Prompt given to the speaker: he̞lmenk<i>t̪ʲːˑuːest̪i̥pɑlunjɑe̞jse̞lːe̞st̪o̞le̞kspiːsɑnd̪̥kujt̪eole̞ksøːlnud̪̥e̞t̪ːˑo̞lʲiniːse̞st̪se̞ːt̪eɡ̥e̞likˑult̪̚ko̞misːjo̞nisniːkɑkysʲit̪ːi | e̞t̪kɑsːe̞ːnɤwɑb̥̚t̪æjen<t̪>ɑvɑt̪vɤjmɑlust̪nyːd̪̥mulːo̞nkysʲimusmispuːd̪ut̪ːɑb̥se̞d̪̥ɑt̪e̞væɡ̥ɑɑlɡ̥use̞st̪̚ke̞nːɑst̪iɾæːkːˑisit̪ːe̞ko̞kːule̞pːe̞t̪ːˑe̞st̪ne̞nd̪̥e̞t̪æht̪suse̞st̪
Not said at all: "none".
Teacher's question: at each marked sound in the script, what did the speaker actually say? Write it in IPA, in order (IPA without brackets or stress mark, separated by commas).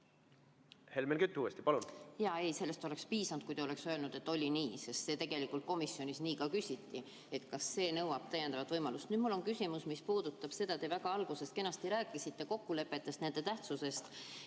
y, d̪